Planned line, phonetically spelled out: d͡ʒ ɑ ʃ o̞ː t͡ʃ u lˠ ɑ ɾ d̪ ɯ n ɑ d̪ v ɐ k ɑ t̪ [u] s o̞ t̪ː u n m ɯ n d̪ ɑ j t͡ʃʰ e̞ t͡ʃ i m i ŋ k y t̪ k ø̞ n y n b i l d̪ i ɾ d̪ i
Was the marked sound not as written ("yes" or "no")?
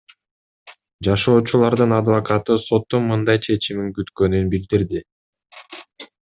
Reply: yes